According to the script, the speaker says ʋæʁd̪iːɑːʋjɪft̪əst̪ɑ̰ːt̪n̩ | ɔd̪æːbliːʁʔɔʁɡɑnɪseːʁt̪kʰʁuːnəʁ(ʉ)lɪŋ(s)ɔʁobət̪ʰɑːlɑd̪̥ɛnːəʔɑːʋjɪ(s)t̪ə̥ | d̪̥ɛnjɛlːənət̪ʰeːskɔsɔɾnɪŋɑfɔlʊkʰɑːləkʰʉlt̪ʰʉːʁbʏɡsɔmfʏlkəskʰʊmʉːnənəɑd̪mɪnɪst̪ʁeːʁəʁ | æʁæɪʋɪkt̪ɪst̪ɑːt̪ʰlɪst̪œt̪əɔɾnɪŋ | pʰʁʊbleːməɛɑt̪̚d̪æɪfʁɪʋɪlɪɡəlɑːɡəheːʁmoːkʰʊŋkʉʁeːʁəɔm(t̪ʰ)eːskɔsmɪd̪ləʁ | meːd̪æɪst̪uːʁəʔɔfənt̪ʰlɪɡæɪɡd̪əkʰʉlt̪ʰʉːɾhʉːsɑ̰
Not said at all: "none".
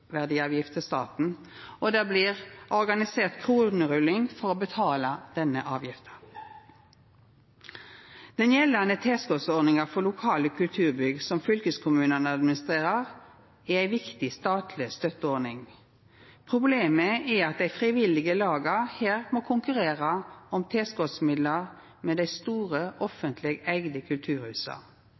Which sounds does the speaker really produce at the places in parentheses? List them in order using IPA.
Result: ʉ, f, f, t̪ʰ

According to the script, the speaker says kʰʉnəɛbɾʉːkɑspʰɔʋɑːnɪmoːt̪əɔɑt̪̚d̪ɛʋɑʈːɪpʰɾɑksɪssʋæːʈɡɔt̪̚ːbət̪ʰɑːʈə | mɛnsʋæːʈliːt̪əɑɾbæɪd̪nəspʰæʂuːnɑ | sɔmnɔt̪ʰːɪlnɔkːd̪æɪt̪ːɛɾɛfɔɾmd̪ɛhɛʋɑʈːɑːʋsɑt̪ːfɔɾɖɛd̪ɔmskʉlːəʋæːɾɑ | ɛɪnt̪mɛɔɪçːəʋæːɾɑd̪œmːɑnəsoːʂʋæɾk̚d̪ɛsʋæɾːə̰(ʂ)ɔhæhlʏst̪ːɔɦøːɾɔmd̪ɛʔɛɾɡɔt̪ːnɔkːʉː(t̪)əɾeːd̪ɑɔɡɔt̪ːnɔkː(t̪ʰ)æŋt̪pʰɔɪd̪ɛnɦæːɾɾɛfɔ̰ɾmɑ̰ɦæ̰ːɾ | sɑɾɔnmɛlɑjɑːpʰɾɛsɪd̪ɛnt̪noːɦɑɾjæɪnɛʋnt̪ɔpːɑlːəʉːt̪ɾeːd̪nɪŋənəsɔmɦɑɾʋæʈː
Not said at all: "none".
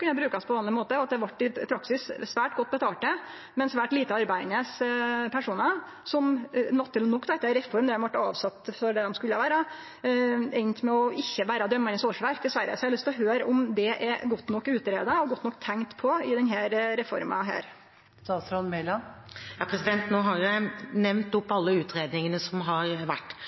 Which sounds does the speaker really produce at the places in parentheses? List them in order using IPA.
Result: s, t̪, t̪ʰ

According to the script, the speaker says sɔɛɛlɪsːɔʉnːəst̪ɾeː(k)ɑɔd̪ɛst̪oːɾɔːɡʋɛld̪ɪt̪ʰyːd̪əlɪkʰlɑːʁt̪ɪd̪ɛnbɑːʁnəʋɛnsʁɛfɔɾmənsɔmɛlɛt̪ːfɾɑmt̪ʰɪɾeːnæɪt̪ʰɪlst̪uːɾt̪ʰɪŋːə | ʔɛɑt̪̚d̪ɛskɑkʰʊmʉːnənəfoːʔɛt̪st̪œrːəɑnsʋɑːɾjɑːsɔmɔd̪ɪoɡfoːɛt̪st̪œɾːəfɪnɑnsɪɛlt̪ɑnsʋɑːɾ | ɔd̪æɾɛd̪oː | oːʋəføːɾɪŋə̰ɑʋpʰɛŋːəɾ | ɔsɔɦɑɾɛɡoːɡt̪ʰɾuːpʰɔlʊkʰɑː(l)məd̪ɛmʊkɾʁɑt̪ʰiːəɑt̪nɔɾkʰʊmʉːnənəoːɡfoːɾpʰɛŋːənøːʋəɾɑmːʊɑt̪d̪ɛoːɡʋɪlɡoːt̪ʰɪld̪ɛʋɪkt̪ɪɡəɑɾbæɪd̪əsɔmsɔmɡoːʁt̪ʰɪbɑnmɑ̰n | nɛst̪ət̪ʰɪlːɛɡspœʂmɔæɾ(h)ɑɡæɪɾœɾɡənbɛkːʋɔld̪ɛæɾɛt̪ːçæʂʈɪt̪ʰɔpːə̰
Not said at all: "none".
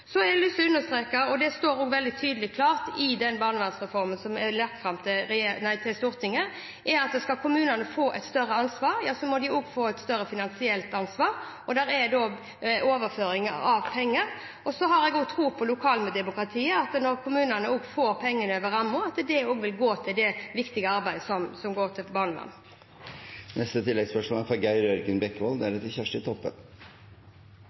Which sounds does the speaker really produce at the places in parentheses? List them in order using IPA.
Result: k, l, f

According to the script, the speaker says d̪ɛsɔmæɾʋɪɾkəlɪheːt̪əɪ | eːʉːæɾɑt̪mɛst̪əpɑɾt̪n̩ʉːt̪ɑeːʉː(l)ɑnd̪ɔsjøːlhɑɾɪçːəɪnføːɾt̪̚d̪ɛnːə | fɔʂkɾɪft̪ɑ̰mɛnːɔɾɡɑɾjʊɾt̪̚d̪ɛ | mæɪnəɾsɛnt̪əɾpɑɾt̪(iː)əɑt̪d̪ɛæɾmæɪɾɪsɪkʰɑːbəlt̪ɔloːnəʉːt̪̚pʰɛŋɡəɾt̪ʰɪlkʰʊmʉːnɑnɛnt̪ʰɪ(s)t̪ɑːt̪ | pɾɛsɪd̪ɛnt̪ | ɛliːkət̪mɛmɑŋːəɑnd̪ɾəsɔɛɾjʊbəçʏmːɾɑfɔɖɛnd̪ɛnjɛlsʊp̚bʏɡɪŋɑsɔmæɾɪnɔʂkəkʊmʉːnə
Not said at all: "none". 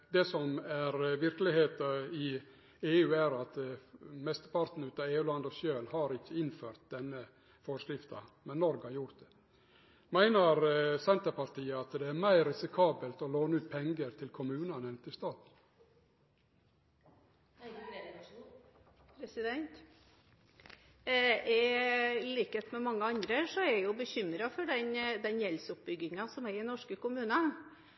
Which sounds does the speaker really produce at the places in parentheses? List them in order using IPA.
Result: l, iː, s

